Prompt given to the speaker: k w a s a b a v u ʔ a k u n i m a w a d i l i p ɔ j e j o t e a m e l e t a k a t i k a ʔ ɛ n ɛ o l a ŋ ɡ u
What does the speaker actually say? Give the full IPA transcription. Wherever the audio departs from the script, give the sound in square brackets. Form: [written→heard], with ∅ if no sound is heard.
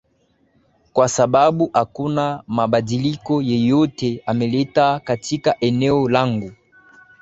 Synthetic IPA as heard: k w a s a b a [v→b] u ʔ a k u n [i→a] m a [w→b] a d i l i [p→k] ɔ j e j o t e a m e l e t a k a t i k a ʔ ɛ n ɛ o l a ŋ ɡ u